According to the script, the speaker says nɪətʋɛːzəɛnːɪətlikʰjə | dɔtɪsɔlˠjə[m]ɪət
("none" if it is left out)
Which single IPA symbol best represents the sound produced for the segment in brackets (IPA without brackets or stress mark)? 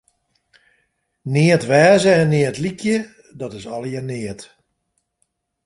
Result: n